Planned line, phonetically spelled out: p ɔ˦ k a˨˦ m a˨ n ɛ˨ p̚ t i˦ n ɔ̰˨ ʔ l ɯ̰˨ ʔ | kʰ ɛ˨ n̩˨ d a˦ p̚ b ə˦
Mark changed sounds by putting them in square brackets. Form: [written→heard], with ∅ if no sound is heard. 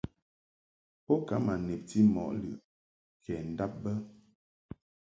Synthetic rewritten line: p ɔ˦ k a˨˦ m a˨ n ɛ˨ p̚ t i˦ [n→m] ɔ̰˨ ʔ l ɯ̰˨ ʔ | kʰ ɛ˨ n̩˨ d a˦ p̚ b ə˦